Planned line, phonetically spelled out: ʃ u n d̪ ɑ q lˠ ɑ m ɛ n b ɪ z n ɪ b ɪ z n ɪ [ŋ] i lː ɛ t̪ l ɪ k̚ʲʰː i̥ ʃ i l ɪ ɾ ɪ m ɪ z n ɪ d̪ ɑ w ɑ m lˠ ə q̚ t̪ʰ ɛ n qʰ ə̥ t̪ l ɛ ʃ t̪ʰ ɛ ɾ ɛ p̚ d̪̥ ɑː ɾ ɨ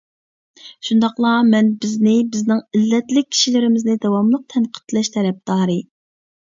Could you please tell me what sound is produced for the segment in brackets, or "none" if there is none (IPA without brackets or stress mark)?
ŋ